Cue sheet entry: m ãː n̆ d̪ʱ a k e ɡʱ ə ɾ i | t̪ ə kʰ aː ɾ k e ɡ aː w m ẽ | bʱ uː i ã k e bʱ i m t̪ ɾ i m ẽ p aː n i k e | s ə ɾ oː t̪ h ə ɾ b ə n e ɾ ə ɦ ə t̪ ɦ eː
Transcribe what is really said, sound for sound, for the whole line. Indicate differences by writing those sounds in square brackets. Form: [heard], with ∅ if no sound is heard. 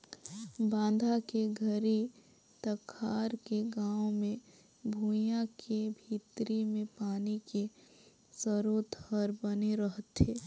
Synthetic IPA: [b] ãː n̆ d̪ʱ a k e ɡʱ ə ɾ i | t̪ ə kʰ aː ɾ k e ɡ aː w m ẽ | bʱ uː [j] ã k e bʱ i [∅] t̪ ɾ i m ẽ p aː n i k e | s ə ɾ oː t̪ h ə ɾ b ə n e ɾ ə ɦ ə t̪ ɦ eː